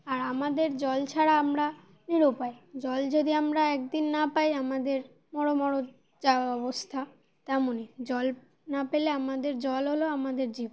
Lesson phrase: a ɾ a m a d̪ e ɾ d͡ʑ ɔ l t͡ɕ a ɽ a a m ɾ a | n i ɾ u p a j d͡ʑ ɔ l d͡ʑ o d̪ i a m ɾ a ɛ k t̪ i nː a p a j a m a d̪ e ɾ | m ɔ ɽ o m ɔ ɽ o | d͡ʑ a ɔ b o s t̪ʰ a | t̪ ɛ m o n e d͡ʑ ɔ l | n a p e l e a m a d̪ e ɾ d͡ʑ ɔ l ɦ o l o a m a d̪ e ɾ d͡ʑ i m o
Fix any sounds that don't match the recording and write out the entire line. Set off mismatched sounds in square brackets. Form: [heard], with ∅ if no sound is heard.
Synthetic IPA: a ɾ a m a d̪ e ɾ d͡ʑ ɔ l [t͡ɕʰ] a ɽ a a m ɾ a | n i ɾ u p a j d͡ʑ ɔ l d͡ʑ o d̪ i a m ɾ a ɛ k [d̪] i nː a p a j a m a d̪ e ɾ | m ɔ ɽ o m ɔ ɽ o | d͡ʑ a ɔ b o s t̪ʰ a | t̪ ɛ m o n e d͡ʑ ɔ l | n a p e l e a m a d̪ e ɾ d͡ʑ ɔ l ɦ o l o a m a d̪ e ɾ d͡ʑ i [b] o